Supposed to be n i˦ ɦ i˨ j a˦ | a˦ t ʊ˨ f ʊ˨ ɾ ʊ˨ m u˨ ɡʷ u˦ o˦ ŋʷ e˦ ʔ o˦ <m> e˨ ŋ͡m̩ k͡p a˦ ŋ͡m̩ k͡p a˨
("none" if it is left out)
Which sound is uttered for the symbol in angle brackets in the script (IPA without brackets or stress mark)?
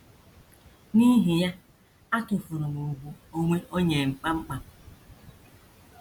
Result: ɲ